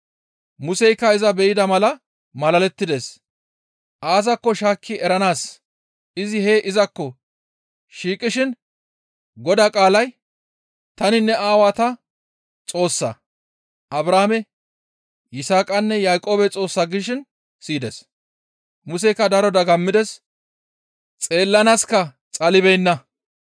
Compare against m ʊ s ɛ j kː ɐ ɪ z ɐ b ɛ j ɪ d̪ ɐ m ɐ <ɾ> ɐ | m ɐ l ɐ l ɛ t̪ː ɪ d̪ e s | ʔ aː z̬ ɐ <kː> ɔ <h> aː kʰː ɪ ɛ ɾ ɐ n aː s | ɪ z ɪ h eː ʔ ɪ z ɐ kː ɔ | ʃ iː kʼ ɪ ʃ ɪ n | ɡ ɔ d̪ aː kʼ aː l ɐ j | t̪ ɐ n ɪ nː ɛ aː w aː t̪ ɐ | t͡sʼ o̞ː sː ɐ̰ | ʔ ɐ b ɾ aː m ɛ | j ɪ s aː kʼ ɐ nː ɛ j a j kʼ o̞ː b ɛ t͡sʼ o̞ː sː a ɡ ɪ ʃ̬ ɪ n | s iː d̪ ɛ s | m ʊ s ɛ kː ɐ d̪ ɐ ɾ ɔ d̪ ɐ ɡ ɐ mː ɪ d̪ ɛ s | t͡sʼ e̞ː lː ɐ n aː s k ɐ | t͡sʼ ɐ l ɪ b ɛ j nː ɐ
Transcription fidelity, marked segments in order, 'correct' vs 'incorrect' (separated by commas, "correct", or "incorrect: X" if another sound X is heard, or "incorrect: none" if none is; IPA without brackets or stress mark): incorrect: l, correct, incorrect: ʃ